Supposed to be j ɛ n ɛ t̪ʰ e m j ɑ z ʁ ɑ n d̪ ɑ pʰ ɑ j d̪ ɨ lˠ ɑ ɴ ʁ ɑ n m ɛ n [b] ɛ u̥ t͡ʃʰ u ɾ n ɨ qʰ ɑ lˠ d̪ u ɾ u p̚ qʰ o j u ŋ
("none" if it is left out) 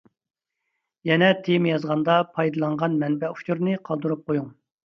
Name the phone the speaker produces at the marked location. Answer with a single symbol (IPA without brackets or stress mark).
b